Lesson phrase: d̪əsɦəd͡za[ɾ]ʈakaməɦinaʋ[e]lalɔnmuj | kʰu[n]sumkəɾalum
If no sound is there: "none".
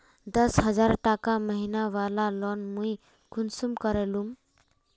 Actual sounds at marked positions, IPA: ɾ, a, n

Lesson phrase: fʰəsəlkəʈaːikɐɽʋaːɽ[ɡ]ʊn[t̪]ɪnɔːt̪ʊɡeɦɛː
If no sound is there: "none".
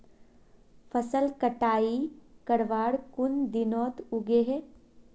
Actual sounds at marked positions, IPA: k, d̪

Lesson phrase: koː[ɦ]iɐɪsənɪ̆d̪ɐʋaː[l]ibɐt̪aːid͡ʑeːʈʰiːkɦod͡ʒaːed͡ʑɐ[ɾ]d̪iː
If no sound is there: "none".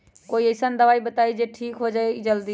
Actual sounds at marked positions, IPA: none, none, l

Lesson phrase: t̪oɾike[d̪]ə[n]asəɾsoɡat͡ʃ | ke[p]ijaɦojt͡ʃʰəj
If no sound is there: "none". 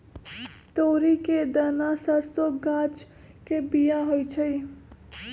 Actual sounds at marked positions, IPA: d̪, n, b

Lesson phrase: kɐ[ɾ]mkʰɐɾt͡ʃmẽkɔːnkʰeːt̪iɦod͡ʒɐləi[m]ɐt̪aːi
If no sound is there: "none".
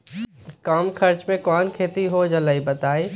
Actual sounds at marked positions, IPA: none, b

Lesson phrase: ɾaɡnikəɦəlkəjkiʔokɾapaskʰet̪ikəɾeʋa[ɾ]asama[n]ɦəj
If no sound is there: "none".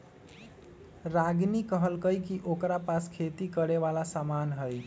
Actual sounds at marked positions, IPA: l, n

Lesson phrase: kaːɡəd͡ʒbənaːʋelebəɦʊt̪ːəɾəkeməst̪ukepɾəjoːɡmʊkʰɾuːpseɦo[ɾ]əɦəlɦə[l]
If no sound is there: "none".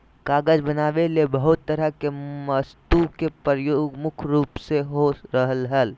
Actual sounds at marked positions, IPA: ɾ, l

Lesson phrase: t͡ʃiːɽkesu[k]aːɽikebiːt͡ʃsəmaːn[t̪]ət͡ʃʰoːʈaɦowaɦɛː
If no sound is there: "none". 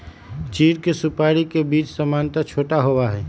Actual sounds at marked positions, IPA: p, t̪

